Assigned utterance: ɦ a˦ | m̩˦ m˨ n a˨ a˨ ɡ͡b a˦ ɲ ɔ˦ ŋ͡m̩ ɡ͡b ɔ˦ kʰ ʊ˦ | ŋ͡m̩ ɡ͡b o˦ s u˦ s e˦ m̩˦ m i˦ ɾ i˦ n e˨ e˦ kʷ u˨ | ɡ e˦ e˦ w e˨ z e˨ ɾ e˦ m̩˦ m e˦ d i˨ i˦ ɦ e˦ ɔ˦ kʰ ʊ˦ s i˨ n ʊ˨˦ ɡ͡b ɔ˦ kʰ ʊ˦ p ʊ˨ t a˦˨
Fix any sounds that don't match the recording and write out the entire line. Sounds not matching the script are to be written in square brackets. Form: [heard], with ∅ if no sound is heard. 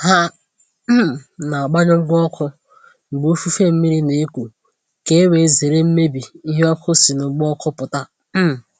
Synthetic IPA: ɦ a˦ | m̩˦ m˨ n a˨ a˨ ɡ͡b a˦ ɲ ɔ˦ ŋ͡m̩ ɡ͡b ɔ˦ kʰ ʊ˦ | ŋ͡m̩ ɡ͡b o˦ [f] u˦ [f] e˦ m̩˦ m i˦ ɾ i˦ n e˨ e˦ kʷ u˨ | [k] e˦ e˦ w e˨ z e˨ ɾ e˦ m̩˦ m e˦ [b] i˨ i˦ ɦ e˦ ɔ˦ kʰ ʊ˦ s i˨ n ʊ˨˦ ɡ͡b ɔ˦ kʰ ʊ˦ p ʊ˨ t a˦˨